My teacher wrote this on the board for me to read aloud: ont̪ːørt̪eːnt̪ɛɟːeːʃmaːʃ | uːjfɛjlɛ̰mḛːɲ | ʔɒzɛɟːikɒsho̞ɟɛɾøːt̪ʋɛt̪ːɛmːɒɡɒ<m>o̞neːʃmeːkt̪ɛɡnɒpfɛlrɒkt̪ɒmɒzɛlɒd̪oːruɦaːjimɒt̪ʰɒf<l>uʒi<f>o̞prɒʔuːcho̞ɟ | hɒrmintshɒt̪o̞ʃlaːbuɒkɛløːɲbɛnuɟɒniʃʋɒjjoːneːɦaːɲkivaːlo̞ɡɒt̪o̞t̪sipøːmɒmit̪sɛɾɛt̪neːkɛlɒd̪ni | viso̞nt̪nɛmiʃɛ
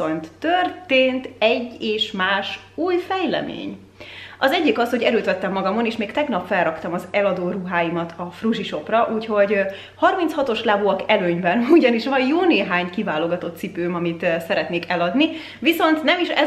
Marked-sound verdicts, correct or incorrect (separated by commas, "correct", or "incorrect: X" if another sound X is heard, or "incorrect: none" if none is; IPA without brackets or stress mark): correct, incorrect: r, incorrect: ʃ